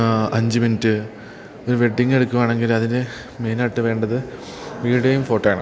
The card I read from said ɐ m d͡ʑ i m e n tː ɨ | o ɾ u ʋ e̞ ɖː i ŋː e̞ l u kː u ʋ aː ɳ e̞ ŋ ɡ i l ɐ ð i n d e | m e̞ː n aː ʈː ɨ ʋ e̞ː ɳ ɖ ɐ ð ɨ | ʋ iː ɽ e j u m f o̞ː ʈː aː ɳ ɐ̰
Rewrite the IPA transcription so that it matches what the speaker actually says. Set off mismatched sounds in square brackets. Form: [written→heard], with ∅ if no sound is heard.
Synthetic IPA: ɐ [m→ɲ] d͡ʑ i m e n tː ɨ | o ɾ u ʋ e̞ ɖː i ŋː e̞ [l→ɽ] u kː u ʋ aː ɳ e̞ ŋ ɡ i l ɐ ð i n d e | m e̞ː n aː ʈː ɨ ʋ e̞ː ɳ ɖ ɐ ð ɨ | ʋ iː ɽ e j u m f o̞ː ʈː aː ɳ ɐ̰